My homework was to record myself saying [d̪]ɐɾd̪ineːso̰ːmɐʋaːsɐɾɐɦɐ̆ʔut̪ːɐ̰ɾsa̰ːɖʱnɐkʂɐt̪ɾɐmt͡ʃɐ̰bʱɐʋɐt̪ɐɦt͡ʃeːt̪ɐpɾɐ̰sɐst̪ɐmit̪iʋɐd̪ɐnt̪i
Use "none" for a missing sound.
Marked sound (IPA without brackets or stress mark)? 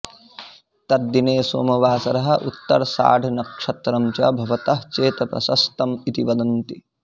t̪